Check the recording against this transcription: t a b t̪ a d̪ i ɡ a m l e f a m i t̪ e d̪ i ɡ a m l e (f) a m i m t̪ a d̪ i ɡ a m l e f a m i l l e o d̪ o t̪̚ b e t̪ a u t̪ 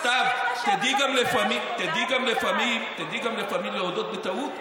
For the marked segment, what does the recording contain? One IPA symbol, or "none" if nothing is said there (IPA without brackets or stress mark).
f